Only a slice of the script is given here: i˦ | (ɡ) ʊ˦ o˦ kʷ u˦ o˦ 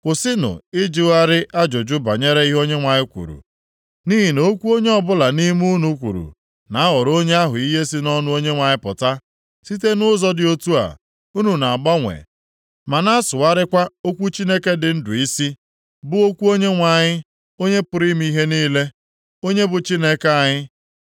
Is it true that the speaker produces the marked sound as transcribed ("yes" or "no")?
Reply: no